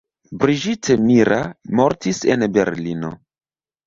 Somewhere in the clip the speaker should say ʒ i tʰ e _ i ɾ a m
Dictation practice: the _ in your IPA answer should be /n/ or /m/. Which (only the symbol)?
m